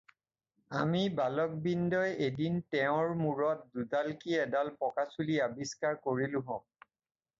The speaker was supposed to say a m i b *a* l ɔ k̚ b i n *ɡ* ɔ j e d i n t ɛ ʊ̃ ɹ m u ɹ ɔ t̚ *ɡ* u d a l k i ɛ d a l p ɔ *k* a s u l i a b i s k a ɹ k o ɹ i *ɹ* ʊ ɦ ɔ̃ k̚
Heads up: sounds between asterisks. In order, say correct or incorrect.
correct, incorrect: d, incorrect: d, correct, incorrect: l

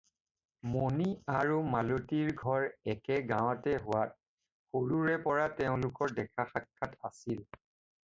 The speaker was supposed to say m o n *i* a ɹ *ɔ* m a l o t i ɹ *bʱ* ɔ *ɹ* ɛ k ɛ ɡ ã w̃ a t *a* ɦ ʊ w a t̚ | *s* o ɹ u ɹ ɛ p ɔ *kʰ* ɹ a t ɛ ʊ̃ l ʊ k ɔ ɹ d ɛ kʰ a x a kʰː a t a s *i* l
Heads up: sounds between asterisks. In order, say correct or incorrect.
correct, incorrect: u, incorrect: ɡʱ, correct, incorrect: ɛ, incorrect: x, incorrect: none, correct

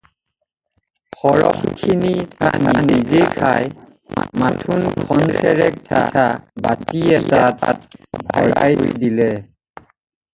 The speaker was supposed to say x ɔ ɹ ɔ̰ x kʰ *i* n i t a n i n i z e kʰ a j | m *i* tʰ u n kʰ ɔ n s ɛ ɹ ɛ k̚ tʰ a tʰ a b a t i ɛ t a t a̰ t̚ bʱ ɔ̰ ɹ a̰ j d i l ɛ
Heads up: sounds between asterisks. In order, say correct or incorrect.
correct, incorrect: a

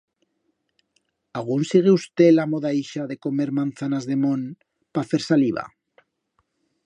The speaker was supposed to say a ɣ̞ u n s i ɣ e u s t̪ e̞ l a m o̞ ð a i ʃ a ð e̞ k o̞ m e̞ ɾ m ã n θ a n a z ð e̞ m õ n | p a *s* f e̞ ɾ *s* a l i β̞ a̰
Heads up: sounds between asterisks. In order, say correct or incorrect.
incorrect: none, correct

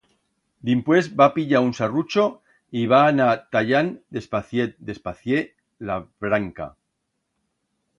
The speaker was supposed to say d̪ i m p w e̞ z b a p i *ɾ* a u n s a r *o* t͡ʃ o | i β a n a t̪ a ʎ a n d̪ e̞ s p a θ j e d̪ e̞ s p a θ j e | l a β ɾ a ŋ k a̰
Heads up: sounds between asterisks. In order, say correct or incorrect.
incorrect: ʎ, incorrect: u

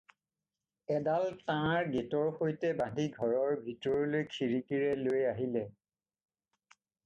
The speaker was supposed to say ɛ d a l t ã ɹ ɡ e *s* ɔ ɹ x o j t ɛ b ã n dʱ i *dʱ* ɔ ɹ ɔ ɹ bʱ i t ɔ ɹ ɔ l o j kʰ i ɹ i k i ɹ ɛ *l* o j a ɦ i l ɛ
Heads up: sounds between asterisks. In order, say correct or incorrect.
incorrect: t, incorrect: ɡʱ, correct

